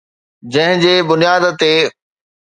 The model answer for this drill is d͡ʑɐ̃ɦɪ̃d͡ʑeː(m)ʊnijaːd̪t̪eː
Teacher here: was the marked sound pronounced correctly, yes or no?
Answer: no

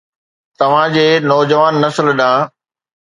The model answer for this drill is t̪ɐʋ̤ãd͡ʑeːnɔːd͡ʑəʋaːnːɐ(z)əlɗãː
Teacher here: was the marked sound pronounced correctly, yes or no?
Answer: no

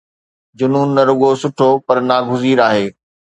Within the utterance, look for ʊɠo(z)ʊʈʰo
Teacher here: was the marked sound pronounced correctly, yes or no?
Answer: no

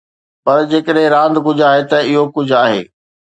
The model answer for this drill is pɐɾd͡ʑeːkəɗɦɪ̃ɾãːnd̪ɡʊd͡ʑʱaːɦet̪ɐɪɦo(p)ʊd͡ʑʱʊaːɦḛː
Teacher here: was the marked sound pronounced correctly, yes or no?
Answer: no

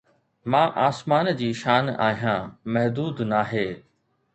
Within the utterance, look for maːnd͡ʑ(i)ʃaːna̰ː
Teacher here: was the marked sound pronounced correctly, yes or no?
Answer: no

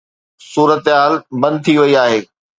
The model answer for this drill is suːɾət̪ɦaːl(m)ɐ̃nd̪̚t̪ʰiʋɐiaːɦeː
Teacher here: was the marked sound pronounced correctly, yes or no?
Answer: no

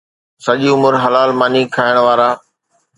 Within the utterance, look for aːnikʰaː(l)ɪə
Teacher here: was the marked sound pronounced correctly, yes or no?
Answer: no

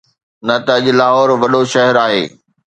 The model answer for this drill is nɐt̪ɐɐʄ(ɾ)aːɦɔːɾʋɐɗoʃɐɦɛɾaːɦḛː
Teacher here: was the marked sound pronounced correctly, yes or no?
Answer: no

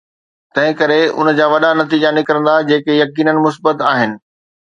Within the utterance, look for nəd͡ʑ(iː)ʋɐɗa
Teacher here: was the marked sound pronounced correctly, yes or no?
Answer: no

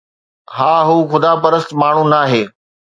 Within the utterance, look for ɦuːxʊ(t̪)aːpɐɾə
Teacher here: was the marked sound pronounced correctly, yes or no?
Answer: no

